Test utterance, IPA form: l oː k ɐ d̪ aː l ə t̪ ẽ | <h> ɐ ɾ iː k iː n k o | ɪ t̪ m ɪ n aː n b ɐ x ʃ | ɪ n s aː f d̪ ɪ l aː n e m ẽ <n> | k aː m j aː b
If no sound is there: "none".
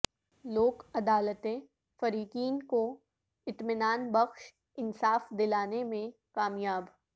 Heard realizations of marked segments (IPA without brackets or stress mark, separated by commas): f, none